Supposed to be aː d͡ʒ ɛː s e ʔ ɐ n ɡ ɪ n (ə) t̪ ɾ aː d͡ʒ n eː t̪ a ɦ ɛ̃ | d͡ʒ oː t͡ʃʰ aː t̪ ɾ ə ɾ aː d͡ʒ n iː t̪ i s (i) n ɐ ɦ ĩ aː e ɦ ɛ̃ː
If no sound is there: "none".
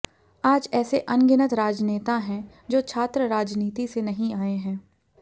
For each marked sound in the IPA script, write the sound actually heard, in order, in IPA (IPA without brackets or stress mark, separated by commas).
ə, e